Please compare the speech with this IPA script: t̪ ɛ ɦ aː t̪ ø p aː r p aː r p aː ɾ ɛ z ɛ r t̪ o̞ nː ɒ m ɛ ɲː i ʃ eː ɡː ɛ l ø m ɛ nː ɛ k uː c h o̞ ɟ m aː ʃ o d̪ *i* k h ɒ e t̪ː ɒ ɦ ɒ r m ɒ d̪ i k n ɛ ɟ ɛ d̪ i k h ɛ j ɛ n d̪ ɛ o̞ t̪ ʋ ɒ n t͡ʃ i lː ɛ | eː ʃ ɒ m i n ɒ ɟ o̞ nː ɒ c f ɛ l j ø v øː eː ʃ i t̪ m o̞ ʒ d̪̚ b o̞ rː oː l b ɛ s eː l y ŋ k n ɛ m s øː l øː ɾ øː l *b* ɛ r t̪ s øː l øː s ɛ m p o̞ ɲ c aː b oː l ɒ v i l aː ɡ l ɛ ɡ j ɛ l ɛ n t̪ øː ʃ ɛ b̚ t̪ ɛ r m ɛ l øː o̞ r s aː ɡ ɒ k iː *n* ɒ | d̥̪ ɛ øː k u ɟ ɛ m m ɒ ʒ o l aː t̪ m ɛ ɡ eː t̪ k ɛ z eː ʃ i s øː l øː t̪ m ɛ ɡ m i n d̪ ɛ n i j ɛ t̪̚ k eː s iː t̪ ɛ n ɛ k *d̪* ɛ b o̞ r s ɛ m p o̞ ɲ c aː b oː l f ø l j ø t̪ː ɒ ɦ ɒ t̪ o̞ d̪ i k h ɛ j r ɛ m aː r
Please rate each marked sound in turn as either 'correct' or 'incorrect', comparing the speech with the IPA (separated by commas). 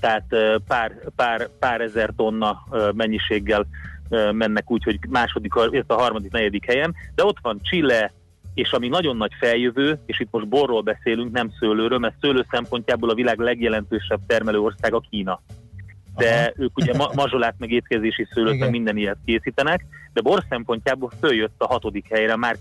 correct, incorrect, correct, correct